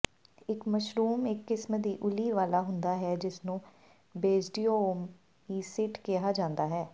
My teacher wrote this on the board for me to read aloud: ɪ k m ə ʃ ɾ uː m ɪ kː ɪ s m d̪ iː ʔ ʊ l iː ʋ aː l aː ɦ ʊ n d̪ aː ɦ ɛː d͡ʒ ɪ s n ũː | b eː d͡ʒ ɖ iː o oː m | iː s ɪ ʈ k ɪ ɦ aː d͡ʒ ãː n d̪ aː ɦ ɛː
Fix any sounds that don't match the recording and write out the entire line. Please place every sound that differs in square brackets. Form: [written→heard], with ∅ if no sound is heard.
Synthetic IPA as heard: ɪ k m ə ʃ ɾ uː m ɪ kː ɪ s m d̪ iː ʔ ʊ l iː ʋ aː l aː ɦ ʊ n d̪ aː ɦ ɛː d͡ʒ ɪ s n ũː | b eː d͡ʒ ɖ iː o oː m | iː s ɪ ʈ k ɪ ɦ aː d͡ʒ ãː n d̪ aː ɦ ɛː